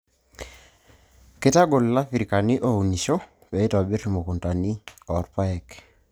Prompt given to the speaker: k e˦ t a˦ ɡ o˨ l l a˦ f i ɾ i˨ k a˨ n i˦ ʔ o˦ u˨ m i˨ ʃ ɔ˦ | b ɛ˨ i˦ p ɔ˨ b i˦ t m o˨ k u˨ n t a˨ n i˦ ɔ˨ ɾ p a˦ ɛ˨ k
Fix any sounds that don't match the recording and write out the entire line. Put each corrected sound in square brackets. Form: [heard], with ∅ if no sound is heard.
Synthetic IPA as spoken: k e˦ t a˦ ɡ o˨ l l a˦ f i ɾ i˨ k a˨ n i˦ ʔ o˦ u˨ [n] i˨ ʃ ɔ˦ | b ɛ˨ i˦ [t] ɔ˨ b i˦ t m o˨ k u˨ n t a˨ n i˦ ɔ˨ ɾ p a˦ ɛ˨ k